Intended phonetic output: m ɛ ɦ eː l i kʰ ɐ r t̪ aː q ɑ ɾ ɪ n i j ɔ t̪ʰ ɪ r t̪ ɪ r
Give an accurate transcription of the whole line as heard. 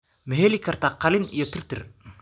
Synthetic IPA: m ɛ ɦ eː l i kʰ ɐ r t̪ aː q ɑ l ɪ n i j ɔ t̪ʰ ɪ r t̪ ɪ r